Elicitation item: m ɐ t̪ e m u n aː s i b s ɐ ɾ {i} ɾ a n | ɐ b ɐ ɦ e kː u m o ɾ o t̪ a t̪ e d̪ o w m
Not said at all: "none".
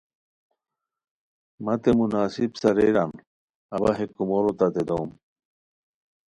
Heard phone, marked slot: e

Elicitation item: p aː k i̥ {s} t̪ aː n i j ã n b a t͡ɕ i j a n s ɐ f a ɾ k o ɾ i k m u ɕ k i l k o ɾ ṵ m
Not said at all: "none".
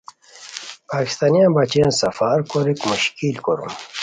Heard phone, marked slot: s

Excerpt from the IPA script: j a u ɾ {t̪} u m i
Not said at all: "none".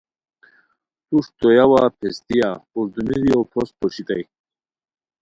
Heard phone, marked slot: d̪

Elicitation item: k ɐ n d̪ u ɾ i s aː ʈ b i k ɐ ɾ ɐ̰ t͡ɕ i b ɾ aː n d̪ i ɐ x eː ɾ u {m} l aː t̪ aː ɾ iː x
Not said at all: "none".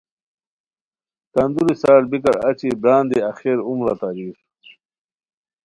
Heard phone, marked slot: m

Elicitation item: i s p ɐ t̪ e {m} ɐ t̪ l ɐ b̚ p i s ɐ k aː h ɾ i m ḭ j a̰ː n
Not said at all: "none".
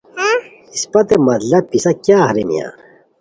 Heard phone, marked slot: m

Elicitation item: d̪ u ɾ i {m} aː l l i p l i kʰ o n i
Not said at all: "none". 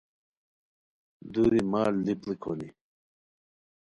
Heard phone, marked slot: m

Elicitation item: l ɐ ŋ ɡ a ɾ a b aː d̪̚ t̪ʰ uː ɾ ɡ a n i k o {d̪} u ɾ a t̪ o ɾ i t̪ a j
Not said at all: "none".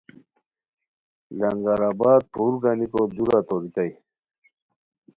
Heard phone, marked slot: d̪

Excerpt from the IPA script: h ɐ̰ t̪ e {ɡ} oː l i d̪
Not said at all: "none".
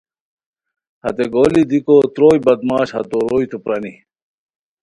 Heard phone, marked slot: ɡ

